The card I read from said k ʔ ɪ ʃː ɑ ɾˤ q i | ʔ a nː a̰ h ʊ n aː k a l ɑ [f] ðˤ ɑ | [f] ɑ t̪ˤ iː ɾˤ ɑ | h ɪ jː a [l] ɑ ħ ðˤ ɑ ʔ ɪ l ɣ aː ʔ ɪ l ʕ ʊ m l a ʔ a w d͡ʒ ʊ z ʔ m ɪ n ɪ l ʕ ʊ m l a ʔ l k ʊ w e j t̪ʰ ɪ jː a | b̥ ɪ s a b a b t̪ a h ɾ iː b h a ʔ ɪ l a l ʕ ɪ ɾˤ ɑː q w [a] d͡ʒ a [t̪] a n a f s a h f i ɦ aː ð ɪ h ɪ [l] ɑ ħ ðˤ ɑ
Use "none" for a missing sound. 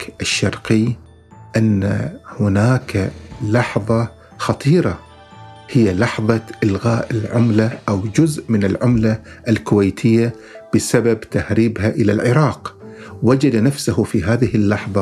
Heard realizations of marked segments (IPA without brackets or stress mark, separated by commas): ħ, x, l, a, d̪, lː